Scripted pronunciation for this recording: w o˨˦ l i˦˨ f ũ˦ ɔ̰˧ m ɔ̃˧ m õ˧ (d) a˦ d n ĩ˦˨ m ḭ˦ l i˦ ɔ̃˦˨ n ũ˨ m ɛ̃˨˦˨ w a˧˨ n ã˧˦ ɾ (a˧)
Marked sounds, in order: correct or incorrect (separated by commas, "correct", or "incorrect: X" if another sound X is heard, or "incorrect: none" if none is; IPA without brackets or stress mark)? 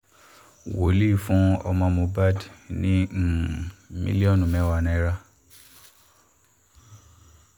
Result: incorrect: b, correct